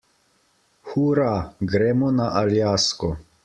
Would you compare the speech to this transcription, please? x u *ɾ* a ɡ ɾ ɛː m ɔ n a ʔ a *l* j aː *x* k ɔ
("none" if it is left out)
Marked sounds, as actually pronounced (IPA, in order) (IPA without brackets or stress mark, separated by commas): ɾ, l, s